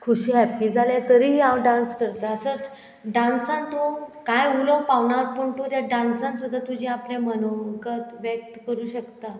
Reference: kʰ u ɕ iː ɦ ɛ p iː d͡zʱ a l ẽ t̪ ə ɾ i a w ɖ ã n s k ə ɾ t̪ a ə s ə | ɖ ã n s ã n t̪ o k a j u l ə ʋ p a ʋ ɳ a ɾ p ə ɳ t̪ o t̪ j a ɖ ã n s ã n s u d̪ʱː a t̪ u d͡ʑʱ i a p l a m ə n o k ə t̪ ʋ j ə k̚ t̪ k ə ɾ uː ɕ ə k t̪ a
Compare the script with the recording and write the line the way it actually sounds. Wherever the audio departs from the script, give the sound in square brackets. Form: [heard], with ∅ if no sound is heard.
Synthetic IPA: kʰ u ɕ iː ɦ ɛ p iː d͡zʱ a l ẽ t̪ ə ɾ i a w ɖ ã n s k ə ɾ t̪ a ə s ə | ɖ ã n s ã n t̪ o k a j u l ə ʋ p a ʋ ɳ a ɾ p ə ɳ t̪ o t̪ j a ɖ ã n s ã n s u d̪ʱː a t̪ u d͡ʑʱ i a p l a m ə n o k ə t̪ ʋ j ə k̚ t̪ k ə ɾ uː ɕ ə k t̪ a